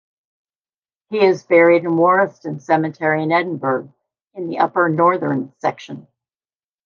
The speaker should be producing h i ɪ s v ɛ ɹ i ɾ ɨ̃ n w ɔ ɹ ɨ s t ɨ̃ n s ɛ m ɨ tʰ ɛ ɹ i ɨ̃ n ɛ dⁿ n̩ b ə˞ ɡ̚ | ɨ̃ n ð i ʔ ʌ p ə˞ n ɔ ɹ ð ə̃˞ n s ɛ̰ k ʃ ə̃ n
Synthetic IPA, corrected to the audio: h i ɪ z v ɛ ɹ i ɾ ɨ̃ n w ɔ ɹ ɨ s t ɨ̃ n s ɛ m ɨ tʰ ɛ ɹ i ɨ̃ n ɛ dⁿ n̩ b ə˞ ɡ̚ | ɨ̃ n ð i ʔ ʌ p ə˞ n ɔ ɹ ð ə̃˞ n s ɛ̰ k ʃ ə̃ n